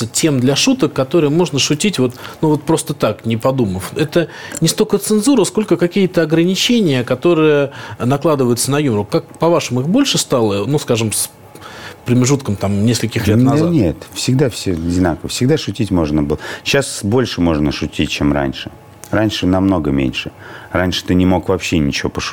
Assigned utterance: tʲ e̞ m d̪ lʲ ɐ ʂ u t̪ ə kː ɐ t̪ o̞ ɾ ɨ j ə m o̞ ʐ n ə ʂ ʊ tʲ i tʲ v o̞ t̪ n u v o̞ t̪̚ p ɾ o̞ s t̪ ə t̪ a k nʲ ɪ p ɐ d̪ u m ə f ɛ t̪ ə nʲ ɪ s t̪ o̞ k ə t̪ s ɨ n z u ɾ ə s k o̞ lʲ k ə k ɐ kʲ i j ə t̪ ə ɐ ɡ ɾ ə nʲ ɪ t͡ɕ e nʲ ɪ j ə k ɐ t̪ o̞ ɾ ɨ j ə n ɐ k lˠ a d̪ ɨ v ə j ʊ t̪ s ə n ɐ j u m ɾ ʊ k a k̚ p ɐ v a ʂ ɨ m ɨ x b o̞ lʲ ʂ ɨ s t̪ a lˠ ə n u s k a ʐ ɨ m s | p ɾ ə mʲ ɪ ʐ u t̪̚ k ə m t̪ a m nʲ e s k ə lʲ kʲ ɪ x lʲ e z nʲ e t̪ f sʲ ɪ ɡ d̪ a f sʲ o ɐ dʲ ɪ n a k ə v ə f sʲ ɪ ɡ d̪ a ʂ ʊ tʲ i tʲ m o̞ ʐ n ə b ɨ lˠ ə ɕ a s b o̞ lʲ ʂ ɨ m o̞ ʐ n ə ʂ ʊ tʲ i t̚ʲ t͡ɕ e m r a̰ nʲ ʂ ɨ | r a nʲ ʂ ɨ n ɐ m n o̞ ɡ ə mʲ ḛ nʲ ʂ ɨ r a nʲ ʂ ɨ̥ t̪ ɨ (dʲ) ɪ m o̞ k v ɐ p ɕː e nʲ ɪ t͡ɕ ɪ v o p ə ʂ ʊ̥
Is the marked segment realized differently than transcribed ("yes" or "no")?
yes